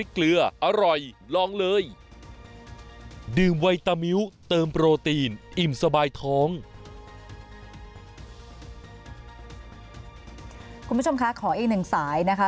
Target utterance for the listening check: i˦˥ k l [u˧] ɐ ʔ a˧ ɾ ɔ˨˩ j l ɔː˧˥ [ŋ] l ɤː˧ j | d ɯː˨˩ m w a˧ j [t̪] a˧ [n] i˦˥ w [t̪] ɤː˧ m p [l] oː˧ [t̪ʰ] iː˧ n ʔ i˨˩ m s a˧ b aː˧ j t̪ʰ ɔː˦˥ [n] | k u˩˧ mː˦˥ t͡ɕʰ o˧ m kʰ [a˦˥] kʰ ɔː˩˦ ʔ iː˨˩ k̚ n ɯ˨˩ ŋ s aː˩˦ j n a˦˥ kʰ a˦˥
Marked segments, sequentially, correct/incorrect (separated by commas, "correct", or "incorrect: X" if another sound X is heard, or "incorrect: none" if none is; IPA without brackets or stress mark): incorrect: ɯ˧, correct, correct, incorrect: m, correct, incorrect: ɾ, incorrect: t̪, incorrect: ŋ, correct